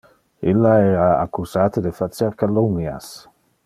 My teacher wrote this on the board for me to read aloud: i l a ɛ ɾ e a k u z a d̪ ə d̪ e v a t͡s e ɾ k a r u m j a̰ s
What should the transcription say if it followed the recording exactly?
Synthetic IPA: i l a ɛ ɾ a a k u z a t̪ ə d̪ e f a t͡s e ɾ k a l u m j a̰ s

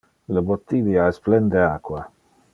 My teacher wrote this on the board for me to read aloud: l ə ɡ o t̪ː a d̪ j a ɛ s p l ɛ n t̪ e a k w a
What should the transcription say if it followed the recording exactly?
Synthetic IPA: l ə b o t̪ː i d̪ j a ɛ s p l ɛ n d̪ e a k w a

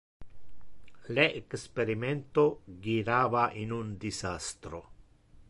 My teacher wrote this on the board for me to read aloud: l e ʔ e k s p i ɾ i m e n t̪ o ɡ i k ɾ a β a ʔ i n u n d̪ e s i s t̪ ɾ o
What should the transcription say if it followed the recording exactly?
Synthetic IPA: l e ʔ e k s p e ɾ i m e n t̪ o ɡ i ɾ a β a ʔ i n u n d̪ i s a s t̪ ɾ o

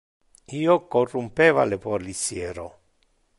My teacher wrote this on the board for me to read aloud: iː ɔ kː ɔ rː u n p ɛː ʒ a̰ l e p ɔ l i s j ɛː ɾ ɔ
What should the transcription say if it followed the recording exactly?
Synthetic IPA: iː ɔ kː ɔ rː u m p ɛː v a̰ l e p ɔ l i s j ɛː ɾ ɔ

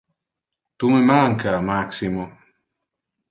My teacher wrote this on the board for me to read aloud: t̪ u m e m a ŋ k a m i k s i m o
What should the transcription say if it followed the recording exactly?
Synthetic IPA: t̪ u m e m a ŋ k a m a k s i m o

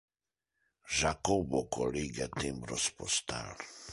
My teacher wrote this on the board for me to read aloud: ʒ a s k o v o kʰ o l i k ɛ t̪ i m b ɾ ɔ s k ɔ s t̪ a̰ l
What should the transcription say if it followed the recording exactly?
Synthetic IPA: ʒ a k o b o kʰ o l i ɡ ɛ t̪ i m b ɾ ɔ s p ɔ s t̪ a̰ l

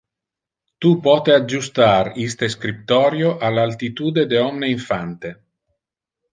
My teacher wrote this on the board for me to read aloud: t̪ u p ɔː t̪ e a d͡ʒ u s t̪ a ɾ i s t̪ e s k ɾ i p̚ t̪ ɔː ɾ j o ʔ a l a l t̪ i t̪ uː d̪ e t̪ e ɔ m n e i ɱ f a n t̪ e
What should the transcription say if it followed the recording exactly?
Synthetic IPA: t̪ u p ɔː t̪ e a d͡ʒ u s t̪ a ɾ i s t̪ e s k ɾ i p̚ t̪ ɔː ɾ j o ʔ a l a l t̪ i t̪ uː d̪ e d̪ e ɔ m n e i ɱ f a n t̪ e

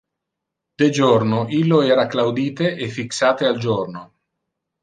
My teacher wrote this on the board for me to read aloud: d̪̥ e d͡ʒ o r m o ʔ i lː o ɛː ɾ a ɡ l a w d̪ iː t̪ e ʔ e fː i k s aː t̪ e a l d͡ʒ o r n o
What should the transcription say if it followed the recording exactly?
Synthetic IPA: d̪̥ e d͡ʒ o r n o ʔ i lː o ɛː ɾ a k l a w d̪ iː t̪ e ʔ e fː i k s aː t̪ e a l d͡ʒ o r n o

